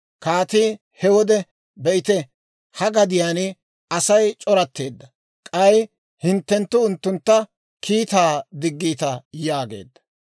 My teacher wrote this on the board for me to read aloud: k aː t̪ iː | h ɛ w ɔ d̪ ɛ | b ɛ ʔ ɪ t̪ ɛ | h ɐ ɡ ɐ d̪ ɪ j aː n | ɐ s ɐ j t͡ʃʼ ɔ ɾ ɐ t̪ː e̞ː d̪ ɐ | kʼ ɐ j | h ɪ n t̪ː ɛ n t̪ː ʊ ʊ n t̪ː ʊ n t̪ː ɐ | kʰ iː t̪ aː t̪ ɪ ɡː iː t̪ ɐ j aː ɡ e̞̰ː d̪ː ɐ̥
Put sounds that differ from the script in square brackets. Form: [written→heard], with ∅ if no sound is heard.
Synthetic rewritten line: k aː t̪ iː | h ɛ w ɔ d̪ ɛ | b ɛ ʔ ɪ t̪ ɛ | h ɐ ɡ ɐ d̪ ɪ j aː n | ɐ s ɐ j t͡ʃʼ ɔ ɾ ɐ t̪ː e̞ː [d̪→d̪ː] ɐ | kʼ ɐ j | h ɪ n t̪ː ɛ n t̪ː ʊ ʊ n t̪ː ʊ n t̪ː ɐ | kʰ iː t̪ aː [t̪→d̪] ɪ ɡː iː t̪ ɐ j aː ɡ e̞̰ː d̪ː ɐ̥

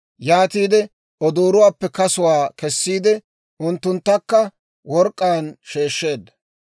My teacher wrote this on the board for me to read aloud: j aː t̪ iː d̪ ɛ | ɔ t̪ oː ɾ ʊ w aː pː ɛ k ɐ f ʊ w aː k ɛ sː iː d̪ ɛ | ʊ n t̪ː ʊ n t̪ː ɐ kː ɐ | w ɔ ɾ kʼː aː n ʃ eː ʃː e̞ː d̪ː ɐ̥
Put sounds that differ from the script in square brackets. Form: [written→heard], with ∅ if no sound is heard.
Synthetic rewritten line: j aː t̪ iː d̪ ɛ | ɔ [t̪→d̪] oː ɾ ʊ w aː pː ɛ k ɐ [f→s] ʊ w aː k ɛ sː iː d̪ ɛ | ʊ n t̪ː ʊ n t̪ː ɐ kː ɐ | w ɔ ɾ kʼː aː n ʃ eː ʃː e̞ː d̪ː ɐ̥

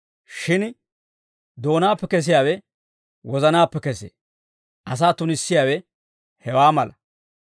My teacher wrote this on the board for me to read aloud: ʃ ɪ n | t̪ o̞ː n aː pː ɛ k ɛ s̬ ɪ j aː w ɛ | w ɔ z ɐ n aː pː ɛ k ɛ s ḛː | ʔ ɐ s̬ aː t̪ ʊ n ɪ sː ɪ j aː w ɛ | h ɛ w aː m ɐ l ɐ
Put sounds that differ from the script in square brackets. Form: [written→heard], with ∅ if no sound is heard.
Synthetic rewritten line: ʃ ɪ n | [t̪→d̪] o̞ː n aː pː ɛ k ɛ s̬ ɪ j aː w ɛ | w ɔ z ɐ n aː pː ɛ k ɛ s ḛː | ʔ ɐ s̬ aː t̪ ʊ n ɪ sː ɪ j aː w ɛ | h ɛ w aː m ɐ l ɐ

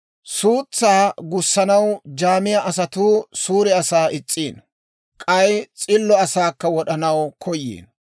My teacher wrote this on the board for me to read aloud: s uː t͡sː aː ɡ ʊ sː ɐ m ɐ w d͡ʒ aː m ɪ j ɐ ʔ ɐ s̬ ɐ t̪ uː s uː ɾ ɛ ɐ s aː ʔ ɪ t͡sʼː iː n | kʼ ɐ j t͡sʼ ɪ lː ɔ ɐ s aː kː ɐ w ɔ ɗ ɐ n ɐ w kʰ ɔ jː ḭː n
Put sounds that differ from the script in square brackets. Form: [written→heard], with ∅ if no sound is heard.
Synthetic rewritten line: s uː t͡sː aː ɡ ʊ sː ɐ [m→n] ɐ w d͡ʒ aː m ɪ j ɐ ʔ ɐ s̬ ɐ t̪ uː s uː ɾ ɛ ɐ s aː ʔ ɪ t͡sʼː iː n | kʼ ɐ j t͡sʼ ɪ lː ɔ ɐ s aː kː ɐ w ɔ ɗ ɐ n ɐ w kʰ ɔ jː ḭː n

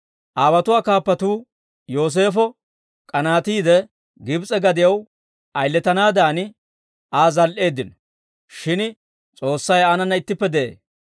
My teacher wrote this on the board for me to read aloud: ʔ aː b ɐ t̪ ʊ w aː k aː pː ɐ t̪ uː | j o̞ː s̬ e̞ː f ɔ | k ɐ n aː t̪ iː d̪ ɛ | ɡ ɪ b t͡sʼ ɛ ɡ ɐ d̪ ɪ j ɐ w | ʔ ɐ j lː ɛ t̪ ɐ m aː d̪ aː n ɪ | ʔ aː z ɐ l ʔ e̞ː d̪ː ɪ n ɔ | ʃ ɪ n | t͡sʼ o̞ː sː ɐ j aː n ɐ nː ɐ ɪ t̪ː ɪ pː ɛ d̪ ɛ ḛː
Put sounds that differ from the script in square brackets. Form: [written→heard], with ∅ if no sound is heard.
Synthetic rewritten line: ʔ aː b ɐ t̪ ʊ w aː k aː pː ɐ t̪ uː | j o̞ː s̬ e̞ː f ɔ | [k→kʼ] ɐ n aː t̪ iː d̪ ɛ | ɡ ɪ b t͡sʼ ɛ ɡ ɐ d̪ ɪ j ɐ w | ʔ ɐ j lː ɛ t̪ ɐ [m→n] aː d̪ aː n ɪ | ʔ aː z ɐ l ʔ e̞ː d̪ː ɪ n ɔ | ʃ ɪ n | t͡sʼ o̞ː sː ɐ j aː n ɐ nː ɐ ɪ t̪ː ɪ pː ɛ d̪ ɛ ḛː

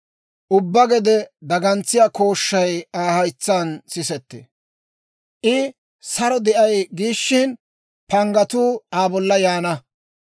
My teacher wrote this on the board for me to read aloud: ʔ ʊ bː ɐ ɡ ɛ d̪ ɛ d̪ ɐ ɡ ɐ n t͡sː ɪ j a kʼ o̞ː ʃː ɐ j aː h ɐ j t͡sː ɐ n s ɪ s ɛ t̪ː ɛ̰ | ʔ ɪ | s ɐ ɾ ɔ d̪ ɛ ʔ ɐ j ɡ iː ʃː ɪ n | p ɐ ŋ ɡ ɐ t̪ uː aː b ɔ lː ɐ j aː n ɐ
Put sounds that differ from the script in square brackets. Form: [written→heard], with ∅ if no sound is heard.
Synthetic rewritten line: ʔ ʊ bː ɐ ɡ ɛ d̪ ɛ d̪ ɐ ɡ ɐ n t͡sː ɪ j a [kʼ→k] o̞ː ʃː ɐ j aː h ɐ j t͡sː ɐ n s ɪ s ɛ t̪ː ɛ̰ | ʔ ɪ | s ɐ ɾ ɔ d̪ ɛ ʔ ɐ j ɡ iː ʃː ɪ n | p ɐ ŋ ɡ ɐ t̪ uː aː b ɔ lː ɐ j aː n ɐ

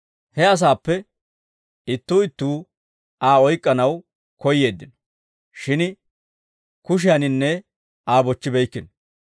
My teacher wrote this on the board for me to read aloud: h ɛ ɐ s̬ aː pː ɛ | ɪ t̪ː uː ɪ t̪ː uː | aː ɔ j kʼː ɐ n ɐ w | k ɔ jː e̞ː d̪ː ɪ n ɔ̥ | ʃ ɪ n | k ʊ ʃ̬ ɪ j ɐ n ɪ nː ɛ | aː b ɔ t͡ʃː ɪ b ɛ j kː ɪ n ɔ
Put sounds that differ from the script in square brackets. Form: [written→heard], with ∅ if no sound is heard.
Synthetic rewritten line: h ɛ ɐ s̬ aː pː ɛ | ɪ t̪ː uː ɪ t̪ː uː | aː ɔ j kʼː ɐ n ɐ w | k ɔ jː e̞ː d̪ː ɪ n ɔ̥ | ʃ ɪ n | k ʊ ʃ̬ ɪ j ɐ n ɪ nː ɛ | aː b ɔ t͡ʃː ɪ b ɛ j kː ɪ n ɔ

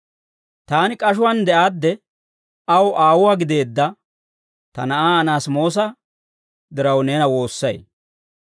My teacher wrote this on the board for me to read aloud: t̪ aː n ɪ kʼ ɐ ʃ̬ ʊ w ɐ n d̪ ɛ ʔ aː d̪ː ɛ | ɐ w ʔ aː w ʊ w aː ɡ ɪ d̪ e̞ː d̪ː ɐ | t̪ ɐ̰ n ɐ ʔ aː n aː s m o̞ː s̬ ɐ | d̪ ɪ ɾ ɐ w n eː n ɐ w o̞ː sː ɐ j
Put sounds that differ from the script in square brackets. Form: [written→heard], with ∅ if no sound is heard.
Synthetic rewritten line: t̪ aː n ɪ kʼ ɐ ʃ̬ ʊ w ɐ n d̪ ɛ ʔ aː d̪ː ɛ | ɐ w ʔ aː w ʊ w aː ɡ ɪ d̪ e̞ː d̪ː ɐ | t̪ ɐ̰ n ɐ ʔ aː n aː s m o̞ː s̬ ɐ | d̪ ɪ ɾ ɐ w n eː n ɐ w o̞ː sː ɐ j

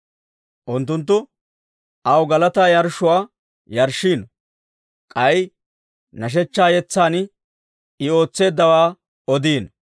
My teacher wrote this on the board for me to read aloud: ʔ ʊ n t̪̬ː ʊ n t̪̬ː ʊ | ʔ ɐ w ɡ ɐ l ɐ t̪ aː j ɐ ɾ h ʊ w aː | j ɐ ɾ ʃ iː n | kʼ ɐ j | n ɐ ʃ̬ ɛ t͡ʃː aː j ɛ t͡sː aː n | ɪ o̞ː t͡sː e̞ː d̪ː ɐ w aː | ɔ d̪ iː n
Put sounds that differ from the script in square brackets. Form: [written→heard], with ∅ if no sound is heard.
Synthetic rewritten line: ʔ ʊ n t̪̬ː ʊ n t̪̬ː ʊ | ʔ ɐ w ɡ ɐ l ɐ t̪ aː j ɐ ɾ [h→ʃ] ʊ w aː | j ɐ ɾ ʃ iː n | kʼ ɐ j | n ɐ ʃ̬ ɛ t͡ʃː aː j ɛ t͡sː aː n | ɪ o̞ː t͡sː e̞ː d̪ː ɐ w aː | ɔ d̪ iː n

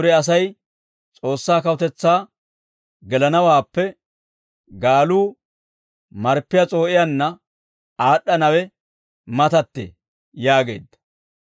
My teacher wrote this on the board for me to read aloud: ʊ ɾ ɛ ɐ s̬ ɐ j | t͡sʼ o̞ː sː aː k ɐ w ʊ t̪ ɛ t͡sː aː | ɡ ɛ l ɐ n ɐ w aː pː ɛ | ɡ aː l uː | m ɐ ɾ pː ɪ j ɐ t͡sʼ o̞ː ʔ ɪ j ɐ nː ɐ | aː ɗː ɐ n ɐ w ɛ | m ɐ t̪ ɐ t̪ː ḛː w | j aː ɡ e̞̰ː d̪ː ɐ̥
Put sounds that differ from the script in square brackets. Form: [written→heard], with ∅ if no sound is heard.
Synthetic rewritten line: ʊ ɾ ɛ ɐ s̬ ɐ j | t͡sʼ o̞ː sː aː k ɐ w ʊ t̪ ɛ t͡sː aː | ɡ ɛ l ɐ n ɐ w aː pː ɛ | ɡ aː l uː | m ɐ ɾ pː ɪ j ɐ t͡sʼ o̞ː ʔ ɪ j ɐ nː ɐ | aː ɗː ɐ n ɐ w ɛ | m ɐ t̪ ɐ t̪ː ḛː [w→∅] | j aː ɡ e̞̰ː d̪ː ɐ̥

